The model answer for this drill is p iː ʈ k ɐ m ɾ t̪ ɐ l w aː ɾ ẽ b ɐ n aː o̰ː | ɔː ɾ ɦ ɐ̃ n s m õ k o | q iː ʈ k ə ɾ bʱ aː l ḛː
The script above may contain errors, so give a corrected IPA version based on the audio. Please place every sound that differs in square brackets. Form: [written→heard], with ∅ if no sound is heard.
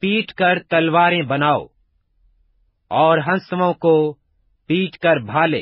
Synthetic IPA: p iː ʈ k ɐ [m→∅] ɾ t̪ ɐ l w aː ɾ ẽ b ɐ n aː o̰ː | ɔː ɾ ɦ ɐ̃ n s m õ k o | [q→p] iː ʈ k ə ɾ bʱ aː l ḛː